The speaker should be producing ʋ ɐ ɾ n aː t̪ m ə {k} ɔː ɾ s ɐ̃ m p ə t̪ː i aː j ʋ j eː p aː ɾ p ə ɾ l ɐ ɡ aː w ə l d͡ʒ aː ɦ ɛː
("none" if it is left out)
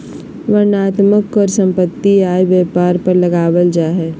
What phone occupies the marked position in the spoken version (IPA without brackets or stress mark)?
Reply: k